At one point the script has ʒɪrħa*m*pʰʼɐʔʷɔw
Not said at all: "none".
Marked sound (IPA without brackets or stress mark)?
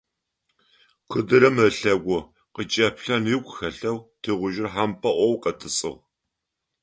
m